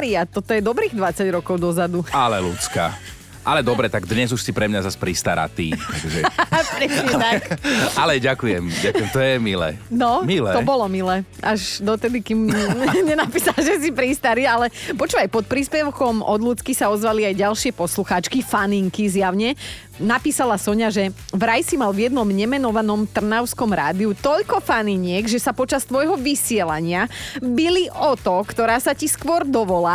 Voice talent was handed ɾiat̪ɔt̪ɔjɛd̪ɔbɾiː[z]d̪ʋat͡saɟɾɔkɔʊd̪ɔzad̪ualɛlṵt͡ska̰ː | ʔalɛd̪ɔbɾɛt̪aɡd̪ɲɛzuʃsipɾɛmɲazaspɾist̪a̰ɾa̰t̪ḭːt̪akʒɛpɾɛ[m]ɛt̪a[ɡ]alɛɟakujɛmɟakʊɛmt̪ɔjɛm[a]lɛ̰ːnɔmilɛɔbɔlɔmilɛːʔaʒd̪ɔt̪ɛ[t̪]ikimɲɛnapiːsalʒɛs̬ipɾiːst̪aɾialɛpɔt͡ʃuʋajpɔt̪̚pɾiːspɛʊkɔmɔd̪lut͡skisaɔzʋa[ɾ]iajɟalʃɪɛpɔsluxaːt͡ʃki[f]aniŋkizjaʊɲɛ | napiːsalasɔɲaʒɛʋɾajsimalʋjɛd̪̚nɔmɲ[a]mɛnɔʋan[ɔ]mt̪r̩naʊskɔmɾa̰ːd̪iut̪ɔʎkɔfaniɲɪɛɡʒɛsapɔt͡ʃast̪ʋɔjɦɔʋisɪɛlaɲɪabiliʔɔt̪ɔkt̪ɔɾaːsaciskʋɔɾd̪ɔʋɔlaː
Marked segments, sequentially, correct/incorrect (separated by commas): incorrect, incorrect, incorrect, incorrect, incorrect, incorrect, correct, incorrect, correct